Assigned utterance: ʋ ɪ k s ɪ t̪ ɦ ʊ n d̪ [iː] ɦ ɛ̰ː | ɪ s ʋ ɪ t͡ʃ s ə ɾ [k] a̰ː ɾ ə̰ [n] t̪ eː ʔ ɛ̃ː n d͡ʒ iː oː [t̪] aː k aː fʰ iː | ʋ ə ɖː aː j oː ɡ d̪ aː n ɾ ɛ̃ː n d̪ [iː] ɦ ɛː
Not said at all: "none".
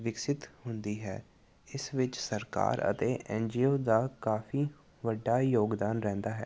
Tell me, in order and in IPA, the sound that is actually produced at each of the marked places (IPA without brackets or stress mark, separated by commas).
iː, k, none, d̪, aː